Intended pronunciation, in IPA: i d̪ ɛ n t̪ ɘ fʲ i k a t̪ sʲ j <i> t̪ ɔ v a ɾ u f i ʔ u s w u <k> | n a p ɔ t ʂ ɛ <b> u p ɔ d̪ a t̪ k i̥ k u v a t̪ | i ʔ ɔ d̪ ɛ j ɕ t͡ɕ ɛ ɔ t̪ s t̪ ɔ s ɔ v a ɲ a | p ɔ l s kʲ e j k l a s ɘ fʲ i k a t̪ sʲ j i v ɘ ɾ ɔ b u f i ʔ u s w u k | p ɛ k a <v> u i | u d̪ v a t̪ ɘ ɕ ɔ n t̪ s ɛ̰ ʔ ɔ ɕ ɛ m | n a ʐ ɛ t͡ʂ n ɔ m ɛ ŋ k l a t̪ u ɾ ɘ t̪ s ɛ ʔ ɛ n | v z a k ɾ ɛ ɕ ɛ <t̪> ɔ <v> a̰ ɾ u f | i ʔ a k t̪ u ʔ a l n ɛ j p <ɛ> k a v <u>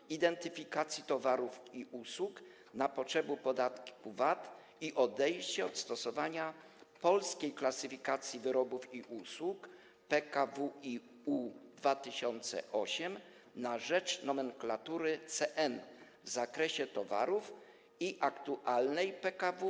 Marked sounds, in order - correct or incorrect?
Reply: correct, correct, correct, correct, correct, correct, correct, correct

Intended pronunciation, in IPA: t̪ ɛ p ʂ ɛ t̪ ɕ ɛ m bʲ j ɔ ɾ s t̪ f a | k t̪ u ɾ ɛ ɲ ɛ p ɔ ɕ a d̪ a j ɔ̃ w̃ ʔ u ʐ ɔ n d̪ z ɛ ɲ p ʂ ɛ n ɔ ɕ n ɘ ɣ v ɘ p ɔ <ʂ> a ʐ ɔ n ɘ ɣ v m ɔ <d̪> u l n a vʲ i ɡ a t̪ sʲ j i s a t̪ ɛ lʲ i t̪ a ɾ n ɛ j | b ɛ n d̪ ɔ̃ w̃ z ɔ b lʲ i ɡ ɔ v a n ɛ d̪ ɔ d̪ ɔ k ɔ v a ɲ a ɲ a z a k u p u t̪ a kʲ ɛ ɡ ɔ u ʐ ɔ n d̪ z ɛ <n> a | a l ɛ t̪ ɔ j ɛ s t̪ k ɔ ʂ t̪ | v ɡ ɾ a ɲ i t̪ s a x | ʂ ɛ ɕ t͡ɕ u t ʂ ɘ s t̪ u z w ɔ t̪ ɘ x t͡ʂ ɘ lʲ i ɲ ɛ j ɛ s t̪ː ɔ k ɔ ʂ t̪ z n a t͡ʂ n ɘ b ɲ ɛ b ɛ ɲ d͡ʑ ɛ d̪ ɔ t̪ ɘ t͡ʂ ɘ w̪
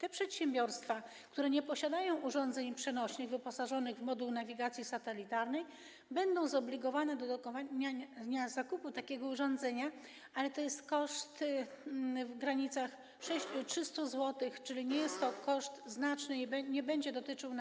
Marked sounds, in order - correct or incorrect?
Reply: incorrect: s, correct, incorrect: ɲ

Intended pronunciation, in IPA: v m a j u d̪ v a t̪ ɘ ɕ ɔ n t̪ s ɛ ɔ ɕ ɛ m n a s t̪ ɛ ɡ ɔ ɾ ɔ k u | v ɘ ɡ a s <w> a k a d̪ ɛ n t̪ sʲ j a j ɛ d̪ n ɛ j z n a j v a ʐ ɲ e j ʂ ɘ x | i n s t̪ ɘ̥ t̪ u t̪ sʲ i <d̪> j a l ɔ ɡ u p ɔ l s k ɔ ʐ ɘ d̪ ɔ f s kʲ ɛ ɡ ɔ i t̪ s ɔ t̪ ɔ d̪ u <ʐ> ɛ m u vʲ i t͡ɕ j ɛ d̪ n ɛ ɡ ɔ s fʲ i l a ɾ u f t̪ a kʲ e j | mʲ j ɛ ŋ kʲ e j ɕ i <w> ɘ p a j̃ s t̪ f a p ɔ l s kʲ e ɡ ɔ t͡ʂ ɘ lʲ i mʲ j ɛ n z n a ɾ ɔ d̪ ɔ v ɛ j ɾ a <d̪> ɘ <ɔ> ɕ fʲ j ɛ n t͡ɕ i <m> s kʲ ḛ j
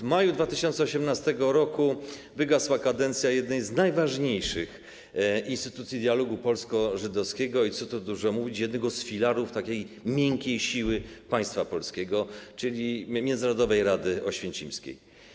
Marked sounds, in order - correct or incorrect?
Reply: correct, correct, correct, correct, correct, correct, correct

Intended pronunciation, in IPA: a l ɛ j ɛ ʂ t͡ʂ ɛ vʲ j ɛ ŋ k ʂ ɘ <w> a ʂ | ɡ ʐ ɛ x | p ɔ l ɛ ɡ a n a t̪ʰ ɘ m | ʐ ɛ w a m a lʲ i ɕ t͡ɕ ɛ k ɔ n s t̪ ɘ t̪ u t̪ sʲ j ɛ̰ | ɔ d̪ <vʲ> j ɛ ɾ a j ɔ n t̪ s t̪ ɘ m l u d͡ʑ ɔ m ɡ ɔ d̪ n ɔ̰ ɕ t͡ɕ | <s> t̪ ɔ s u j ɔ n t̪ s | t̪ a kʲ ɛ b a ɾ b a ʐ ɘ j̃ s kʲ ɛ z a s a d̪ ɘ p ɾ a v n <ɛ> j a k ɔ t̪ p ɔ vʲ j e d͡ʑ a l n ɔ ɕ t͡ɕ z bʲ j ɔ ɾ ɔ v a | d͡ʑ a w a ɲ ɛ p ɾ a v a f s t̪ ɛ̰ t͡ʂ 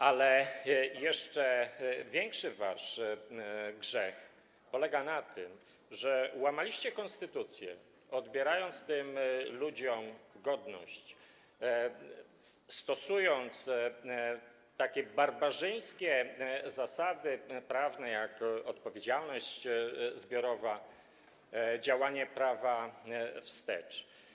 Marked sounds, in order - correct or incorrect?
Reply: incorrect: v, incorrect: bʲ, correct, correct

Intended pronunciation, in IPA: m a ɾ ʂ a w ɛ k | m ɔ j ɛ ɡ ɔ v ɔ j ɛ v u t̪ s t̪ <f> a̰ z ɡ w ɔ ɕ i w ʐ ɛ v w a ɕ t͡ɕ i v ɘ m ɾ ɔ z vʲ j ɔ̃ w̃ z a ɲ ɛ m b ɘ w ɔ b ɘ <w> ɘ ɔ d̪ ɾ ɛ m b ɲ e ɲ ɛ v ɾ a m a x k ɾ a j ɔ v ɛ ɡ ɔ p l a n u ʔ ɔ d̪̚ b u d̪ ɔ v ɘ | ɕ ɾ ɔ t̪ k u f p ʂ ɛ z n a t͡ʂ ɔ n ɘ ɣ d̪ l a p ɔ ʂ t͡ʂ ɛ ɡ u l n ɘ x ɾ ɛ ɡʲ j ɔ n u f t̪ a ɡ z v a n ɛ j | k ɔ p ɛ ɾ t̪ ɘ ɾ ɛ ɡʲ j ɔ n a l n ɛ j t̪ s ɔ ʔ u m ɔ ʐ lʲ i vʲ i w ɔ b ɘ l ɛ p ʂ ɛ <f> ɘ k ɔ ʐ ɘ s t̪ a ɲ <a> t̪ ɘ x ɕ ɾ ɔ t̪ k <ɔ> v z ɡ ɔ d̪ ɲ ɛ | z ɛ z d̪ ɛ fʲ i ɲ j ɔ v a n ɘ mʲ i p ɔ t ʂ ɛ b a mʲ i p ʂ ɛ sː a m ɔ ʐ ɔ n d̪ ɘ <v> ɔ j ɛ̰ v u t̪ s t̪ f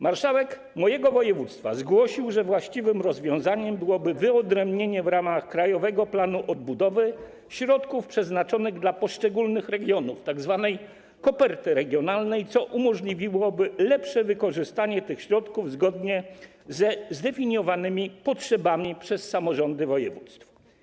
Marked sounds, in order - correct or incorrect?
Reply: correct, incorrect: v, incorrect: v, incorrect: ɛ, incorrect: u, correct

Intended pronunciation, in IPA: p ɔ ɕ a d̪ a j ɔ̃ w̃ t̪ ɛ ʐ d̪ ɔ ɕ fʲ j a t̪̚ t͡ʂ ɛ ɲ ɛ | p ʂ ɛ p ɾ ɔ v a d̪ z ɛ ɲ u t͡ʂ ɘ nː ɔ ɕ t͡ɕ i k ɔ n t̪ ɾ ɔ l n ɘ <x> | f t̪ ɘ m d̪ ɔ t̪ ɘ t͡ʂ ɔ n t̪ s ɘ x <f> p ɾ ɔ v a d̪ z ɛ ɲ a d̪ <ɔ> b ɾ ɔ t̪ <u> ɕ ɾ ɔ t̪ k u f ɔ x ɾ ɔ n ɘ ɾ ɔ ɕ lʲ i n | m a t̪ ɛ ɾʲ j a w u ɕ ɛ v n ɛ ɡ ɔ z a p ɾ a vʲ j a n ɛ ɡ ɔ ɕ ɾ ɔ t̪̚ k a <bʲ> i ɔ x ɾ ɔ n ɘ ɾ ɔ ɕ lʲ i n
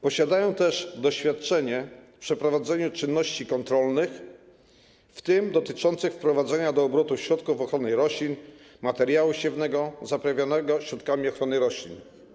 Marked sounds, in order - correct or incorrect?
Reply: correct, correct, incorrect: ɔː, correct, incorrect: mʲ

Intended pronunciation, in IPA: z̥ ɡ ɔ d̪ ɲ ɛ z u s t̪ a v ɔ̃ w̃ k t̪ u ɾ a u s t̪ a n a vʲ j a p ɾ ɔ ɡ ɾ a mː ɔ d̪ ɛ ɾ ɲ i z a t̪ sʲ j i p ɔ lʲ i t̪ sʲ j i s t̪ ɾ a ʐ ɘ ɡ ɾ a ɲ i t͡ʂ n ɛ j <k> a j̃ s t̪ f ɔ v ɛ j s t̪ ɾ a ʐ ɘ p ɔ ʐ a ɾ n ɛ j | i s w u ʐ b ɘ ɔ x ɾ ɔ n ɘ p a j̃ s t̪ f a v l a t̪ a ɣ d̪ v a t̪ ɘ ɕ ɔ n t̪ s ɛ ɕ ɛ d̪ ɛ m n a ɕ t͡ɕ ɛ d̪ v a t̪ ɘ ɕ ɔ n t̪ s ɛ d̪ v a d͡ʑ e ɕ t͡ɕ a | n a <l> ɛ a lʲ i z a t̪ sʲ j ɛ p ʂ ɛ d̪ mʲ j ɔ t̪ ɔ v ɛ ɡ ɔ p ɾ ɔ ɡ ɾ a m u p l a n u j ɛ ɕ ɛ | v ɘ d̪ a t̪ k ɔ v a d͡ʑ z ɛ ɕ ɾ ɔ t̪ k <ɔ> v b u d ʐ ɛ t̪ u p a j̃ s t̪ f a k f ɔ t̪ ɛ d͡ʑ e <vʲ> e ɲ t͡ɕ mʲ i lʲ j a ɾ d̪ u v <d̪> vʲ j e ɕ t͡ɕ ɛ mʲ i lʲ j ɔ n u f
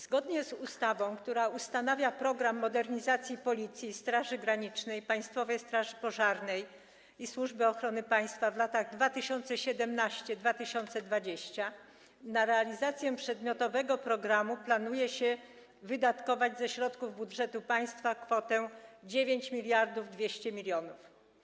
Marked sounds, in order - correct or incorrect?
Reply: incorrect: p, incorrect: ɾ, incorrect: u, correct, correct

